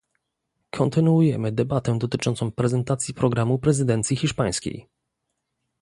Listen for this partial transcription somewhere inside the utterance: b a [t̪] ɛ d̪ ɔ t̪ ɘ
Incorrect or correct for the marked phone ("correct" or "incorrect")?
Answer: correct